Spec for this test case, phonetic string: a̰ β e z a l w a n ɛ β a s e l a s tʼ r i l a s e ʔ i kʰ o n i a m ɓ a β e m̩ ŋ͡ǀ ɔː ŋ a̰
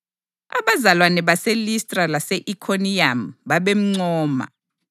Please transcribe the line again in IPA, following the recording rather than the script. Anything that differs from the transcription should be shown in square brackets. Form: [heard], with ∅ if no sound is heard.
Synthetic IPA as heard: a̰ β [a] z a l w a n ɛ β a s e l [i] s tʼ r [a] l a s e ʔ i kʰ o n i a m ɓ a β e m̩ ŋ͡ǀ ɔː [m] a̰